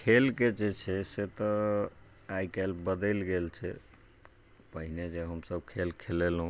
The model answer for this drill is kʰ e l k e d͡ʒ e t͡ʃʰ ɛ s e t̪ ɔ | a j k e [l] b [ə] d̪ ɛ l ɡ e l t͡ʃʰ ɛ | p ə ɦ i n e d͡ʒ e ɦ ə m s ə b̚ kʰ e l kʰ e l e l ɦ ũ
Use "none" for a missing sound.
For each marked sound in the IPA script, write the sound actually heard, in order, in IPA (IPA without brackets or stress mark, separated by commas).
l, ə